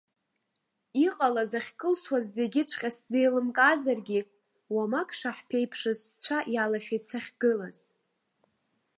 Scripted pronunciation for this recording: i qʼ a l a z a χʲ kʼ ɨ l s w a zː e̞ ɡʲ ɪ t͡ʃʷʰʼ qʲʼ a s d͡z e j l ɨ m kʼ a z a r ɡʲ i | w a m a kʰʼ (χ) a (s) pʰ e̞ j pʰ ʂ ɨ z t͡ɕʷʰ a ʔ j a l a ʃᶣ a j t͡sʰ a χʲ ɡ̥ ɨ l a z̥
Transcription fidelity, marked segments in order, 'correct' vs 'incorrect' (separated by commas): incorrect, incorrect